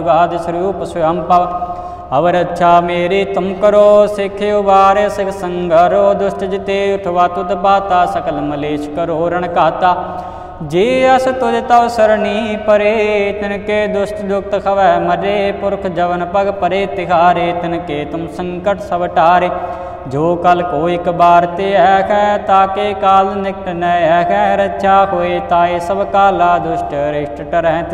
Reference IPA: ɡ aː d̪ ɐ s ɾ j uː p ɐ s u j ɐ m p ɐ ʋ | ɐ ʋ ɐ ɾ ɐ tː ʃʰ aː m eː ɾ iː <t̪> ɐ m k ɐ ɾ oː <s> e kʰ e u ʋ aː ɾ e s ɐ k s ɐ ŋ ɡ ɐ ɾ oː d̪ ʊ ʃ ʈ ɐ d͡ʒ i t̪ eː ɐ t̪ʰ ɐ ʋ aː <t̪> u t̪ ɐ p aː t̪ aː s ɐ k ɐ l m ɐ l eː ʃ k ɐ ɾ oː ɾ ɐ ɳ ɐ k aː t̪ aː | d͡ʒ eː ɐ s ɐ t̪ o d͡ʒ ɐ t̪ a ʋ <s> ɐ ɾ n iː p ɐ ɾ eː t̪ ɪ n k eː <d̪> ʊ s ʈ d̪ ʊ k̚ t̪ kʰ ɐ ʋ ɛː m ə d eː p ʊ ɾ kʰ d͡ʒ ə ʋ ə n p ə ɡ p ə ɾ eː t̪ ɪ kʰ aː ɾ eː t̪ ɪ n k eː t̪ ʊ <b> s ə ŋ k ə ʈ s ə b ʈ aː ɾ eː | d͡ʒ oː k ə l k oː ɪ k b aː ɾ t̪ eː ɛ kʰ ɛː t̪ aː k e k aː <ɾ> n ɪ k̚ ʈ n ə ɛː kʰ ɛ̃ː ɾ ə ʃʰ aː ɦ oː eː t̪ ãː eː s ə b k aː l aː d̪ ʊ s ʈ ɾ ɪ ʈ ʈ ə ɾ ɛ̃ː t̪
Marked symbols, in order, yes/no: yes, yes, yes, yes, yes, no, no

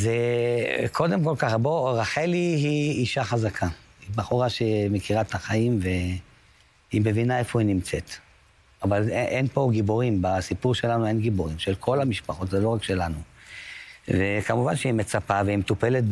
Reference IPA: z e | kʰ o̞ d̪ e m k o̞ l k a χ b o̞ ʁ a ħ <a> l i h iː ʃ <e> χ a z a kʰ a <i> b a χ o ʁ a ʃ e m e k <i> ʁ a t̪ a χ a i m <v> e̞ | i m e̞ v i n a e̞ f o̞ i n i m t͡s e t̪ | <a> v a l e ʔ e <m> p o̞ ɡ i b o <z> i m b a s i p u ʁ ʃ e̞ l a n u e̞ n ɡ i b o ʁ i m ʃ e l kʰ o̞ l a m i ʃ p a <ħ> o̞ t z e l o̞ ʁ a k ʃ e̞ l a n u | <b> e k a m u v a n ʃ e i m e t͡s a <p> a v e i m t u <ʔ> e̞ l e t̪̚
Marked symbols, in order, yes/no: no, no, yes, yes, yes, yes, no, no, no, no, yes, no

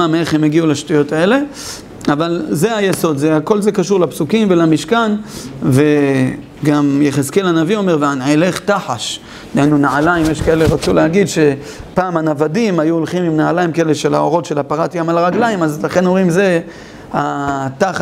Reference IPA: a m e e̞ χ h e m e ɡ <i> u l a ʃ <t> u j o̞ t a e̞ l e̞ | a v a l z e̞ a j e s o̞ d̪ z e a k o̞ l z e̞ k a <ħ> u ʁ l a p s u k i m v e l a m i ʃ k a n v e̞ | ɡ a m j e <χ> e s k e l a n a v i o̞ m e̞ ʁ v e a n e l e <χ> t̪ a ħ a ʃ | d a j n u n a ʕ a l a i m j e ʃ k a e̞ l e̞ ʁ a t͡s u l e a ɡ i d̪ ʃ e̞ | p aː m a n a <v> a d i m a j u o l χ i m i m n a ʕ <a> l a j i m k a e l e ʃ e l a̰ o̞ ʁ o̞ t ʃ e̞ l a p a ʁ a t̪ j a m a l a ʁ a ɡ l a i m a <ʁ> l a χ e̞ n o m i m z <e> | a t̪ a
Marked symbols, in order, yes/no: yes, yes, no, yes, yes, yes, yes, no, yes

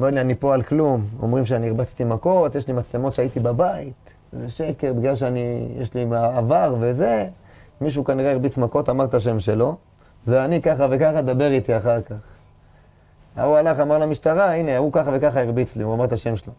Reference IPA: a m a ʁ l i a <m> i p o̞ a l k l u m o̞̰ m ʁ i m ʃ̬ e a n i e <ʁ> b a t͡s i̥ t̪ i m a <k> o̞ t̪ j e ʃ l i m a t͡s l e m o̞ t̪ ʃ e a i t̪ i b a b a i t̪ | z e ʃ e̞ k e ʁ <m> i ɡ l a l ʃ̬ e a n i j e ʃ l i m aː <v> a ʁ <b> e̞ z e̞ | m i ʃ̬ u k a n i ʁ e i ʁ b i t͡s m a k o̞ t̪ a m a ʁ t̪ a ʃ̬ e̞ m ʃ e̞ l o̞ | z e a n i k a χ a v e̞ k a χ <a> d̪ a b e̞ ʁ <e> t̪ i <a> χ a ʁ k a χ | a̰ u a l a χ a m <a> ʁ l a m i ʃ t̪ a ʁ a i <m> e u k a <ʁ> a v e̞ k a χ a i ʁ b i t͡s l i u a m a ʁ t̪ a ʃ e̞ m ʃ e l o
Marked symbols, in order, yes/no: no, yes, yes, no, yes, no, yes, no, yes, yes, no, no

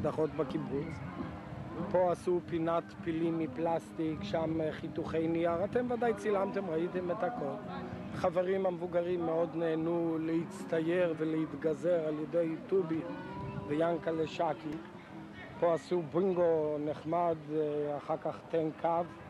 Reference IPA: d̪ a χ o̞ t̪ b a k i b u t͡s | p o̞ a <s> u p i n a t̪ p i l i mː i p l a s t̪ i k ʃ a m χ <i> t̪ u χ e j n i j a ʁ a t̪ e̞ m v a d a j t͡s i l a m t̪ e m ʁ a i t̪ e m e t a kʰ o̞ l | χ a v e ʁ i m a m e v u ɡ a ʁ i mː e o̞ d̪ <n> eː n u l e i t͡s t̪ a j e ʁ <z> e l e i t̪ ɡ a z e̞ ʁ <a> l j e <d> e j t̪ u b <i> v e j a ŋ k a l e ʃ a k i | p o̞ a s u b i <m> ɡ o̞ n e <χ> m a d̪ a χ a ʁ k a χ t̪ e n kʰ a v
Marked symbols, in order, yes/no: yes, yes, yes, no, yes, yes, yes, no, yes

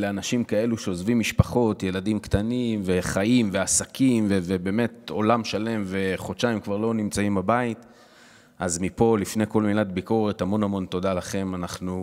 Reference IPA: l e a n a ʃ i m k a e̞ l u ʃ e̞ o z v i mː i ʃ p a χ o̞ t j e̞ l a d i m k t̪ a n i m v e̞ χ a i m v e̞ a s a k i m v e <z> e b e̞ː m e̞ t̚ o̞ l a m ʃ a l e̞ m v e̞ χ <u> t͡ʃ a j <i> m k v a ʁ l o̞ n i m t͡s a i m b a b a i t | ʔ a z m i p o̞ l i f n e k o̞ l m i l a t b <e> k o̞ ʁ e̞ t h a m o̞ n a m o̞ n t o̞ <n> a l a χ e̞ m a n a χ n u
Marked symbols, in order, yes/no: no, no, yes, no, no

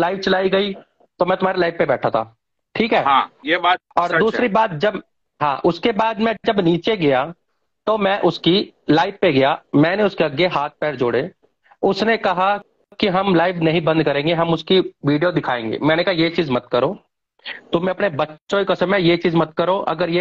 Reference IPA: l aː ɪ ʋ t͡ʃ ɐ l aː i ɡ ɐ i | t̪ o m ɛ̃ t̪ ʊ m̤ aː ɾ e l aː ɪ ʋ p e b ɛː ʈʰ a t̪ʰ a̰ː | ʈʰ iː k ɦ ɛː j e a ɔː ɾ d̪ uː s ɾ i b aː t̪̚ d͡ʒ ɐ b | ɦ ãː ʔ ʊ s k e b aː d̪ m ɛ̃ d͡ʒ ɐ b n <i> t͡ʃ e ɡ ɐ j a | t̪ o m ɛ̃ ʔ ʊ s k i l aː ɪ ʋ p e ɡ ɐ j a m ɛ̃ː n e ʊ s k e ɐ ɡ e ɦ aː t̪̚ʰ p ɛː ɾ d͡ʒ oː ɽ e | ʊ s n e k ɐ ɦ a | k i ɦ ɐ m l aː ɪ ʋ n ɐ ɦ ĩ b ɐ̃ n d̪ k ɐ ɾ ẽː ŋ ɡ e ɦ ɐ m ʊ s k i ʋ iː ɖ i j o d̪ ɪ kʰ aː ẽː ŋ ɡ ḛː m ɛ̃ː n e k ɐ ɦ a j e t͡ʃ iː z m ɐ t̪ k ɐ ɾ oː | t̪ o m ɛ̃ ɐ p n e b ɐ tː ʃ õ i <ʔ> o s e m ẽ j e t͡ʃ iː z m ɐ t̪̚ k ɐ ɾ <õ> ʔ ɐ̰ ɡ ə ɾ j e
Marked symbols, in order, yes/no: no, no, no

